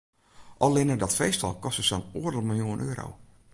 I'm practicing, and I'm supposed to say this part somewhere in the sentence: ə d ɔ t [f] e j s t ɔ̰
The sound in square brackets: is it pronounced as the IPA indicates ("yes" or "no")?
yes